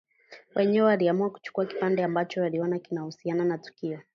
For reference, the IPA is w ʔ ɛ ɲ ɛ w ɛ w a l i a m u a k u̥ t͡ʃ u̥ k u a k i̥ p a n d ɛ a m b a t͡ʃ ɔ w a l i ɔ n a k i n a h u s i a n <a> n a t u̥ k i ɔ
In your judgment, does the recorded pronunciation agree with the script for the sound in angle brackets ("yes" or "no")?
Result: yes